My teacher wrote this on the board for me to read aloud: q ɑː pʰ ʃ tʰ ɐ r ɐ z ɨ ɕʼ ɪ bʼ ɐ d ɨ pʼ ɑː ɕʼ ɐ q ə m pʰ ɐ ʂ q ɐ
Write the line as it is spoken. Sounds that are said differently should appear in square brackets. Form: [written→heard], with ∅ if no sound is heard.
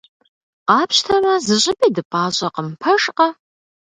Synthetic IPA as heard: q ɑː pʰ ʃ tʰ ɐ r ɐ z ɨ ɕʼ ɪ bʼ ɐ d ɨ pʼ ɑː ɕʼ ɐ q ə m pʰ ɐ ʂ q ɐ